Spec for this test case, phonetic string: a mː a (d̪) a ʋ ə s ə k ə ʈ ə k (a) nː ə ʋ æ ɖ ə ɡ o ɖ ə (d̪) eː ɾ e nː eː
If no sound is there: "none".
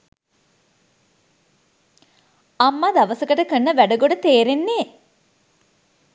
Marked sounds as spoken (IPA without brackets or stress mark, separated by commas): d̪, ə, t̪